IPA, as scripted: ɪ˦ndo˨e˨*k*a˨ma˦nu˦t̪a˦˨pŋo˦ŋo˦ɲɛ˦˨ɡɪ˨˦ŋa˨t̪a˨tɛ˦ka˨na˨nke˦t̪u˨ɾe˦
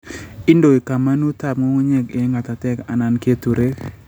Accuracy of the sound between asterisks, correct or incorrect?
correct